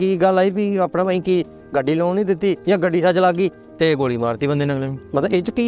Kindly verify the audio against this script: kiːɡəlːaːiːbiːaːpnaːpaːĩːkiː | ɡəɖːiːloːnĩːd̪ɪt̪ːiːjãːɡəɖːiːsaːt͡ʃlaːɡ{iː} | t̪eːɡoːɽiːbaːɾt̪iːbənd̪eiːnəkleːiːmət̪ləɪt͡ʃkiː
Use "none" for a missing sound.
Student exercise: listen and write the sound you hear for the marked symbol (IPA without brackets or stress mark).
iː